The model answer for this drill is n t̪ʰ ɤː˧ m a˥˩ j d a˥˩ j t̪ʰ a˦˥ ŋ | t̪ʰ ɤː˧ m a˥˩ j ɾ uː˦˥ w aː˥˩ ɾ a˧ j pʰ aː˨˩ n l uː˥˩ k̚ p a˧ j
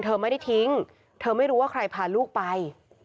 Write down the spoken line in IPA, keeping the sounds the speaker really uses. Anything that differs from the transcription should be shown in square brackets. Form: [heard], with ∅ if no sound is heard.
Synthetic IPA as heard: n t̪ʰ ɤː˧ m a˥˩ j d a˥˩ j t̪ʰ [i˦˥] ŋ | t̪ʰ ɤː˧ m a˥˩ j ɾ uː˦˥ w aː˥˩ ɾ a˧ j pʰ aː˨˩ n l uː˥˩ k̚ p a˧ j